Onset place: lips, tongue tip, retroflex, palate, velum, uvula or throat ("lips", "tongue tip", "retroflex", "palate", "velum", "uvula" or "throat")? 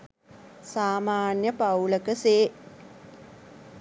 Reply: tongue tip